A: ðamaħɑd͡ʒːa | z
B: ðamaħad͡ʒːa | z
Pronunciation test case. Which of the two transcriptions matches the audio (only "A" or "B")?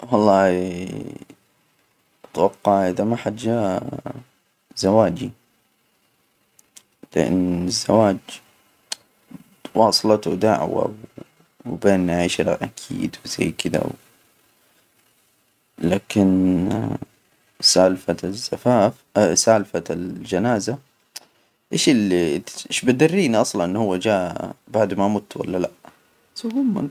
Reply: B